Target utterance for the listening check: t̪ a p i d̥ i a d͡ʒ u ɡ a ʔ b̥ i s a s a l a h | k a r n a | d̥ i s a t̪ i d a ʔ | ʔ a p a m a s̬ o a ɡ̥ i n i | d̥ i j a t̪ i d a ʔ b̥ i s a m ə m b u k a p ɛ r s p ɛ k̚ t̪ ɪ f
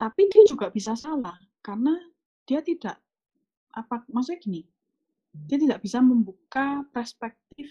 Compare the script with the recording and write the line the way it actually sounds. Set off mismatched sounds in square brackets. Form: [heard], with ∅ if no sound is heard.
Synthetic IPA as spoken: t̪ a p i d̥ i a d͡ʒ u ɡ a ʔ b̥ i s a s a l a h | k a r n a | d̥ i [∅] a t̪ i d a ʔ | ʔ a p a m a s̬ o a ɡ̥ i n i | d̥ i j a t̪ i d a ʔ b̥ i s a m ə m b u k a p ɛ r s p ɛ k̚ t̪ ɪ f